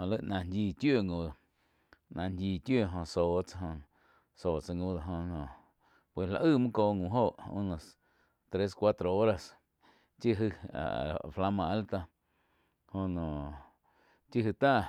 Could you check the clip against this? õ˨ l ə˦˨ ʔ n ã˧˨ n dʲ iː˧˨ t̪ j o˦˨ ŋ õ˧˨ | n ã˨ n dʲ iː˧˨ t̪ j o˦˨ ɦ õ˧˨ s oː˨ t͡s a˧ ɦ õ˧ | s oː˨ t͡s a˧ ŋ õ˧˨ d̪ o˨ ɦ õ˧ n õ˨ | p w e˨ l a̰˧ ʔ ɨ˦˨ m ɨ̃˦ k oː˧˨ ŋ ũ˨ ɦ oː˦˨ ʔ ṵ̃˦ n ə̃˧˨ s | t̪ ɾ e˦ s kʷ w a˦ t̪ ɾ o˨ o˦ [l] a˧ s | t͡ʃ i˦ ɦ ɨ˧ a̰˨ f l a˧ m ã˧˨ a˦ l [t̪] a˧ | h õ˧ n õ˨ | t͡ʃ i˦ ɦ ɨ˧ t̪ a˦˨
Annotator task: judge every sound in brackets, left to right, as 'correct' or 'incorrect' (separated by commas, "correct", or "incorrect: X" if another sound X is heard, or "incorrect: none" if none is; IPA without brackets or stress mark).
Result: incorrect: ɾ, correct